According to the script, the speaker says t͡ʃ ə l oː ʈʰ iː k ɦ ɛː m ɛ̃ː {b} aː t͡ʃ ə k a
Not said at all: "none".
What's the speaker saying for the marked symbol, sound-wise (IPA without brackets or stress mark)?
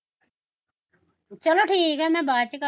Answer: b